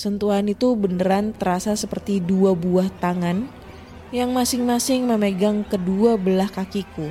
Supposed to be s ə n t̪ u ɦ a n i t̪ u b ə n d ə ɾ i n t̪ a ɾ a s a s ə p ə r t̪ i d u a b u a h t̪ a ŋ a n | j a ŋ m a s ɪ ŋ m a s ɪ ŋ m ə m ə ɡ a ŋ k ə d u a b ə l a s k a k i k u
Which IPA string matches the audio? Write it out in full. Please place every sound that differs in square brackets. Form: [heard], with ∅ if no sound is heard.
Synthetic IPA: s ə n t̪ u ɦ a n i t̪ u b ə n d ə ɾ [a] n t̪ [ə] ɾ a s a s ə p ə r t̪ i d u a b u a h t̪ a ŋ a n | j a ŋ m a s ɪ ŋ m a s ɪ ŋ m ə m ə ɡ a ŋ k ə d u a b ə l a [h] k a k i k u